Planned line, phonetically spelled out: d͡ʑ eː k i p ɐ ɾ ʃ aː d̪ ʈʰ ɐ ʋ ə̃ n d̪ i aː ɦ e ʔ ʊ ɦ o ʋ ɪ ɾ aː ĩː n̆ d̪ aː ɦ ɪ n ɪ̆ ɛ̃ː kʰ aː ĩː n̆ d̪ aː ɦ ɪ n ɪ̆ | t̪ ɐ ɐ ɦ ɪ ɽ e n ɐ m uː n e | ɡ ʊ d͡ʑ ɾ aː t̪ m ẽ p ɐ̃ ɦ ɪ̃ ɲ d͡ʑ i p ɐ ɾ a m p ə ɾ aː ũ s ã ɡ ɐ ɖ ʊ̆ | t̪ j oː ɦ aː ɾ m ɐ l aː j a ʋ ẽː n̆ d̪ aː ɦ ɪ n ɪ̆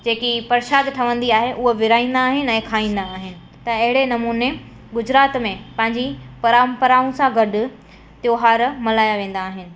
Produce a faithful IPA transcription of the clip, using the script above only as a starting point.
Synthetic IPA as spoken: d͡ʑ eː k i p ɐ ɾ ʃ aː d̪ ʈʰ ɐ ʋ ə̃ n d̪ i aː ɦ e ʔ ʊ ɦ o ʋ ɪ ɾ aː ĩː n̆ d̪ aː ɦ ɪ n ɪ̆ ɛ̃ː kʰ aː ĩː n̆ d̪ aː ɦ ɪ n ɪ̆ | t̪ ɐ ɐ ɦ ɪ ɽ e n ɐ m uː n e | ɡ ʊ d͡ʑ ɾ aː t̪ m ẽ p ɐ̃ ɦ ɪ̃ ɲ d͡ʑ i p ɐ ɾ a m p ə ɾ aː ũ s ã ɡ ɐ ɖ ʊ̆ | t̪ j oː ɦ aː ɾ m ɐ l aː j a ʋ ẽː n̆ d̪ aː ɦ ɪ n ɪ̆